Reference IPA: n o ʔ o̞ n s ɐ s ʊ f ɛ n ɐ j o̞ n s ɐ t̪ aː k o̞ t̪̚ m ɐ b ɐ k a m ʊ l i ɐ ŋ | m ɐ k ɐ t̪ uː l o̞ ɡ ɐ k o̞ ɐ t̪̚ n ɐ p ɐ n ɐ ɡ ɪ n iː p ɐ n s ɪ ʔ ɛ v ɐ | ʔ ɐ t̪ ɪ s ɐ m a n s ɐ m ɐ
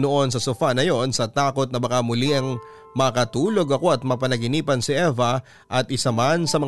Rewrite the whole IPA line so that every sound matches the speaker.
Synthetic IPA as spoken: n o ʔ o̞ n s ɐ s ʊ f a n ɐ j o̞ n s ɐ t̪ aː k o̞ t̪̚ n ɐ b ɐ k a m ʊ l i ɐ ŋ | m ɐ k ɐ t̪ uː l o̞ ɡ ɐ k o̞ ɐ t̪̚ m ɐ p ɐ n ɐ ɡ ɪ n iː p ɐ n s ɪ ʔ ɛ v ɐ | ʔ ɐ t̪ ɪ s ɐ m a n s ɐ m ɐ